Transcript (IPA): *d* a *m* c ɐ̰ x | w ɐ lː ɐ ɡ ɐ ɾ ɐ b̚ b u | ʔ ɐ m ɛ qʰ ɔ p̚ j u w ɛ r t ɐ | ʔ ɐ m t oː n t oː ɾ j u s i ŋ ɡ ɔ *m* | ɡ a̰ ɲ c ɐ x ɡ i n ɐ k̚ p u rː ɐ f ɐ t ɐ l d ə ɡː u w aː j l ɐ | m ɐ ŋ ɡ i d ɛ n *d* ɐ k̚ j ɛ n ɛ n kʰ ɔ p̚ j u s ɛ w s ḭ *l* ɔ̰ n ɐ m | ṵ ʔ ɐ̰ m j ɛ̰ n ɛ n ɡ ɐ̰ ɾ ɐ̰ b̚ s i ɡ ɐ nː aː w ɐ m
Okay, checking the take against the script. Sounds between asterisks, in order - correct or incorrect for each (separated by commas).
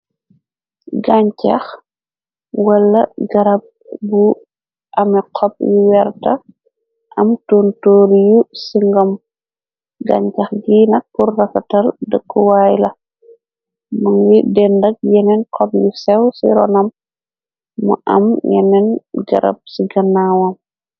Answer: incorrect, incorrect, correct, correct, incorrect